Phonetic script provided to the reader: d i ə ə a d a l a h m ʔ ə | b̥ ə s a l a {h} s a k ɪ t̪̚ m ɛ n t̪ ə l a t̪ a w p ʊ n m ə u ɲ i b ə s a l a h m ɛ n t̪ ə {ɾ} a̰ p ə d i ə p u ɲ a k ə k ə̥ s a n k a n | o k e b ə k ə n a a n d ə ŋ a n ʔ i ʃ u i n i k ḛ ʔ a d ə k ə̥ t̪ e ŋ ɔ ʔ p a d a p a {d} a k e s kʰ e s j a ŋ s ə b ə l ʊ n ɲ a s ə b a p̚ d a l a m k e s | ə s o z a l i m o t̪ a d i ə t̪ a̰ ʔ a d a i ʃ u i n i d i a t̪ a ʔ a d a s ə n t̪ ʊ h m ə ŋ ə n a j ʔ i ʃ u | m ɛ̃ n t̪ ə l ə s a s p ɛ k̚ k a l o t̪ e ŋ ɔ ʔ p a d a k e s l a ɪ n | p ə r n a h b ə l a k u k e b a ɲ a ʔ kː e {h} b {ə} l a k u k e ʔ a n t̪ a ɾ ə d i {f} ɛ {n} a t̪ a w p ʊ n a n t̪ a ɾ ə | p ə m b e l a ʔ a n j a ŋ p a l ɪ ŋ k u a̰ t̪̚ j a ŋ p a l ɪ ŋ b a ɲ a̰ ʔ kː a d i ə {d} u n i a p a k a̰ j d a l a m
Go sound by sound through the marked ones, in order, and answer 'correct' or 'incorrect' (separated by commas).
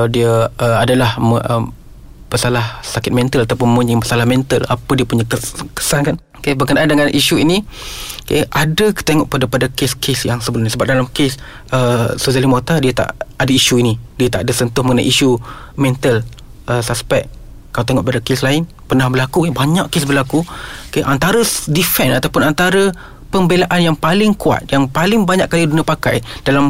correct, incorrect, correct, incorrect, correct, correct, correct, correct